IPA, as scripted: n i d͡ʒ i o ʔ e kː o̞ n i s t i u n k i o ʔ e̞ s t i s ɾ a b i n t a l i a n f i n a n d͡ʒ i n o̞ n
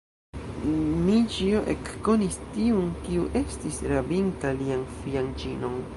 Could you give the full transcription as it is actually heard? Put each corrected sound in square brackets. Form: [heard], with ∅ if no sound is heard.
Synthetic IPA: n i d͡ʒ i o ʔ e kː o̞ n i s t i u n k i [u] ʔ e̞ s t i s ɾ a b i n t a l i a n f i [∅] a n d͡ʒ i n o̞ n